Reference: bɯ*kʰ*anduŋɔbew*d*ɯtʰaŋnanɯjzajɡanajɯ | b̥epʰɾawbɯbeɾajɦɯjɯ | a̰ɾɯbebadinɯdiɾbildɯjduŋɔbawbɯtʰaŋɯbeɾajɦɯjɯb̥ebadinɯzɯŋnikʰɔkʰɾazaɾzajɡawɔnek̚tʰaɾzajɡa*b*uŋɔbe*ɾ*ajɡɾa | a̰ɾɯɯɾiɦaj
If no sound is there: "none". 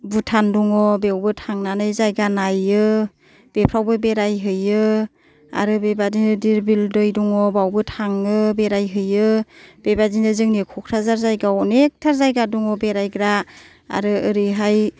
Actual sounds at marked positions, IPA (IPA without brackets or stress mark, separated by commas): tʰ, b, d, ɾ